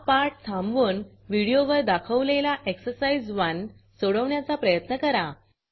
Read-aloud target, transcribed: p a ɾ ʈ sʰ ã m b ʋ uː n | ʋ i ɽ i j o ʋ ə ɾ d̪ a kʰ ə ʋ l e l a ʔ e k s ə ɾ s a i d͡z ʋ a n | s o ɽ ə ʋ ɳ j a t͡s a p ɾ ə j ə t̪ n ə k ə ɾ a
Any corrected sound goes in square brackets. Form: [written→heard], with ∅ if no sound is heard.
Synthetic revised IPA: p a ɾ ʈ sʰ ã m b ʋ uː n | ʋ i ɽ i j o ʋ ə ɾ d̪ a kʰ ə ʋ l e l a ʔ e k s ə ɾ s a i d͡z ʋ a n | s o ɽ ə ʋ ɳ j a t͡s a p ɾ ə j ə t̪ n ə k ə ɾ a